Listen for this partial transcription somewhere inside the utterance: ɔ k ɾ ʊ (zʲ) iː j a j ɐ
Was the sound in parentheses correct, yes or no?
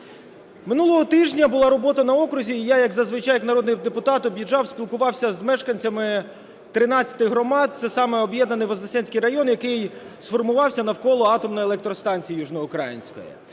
yes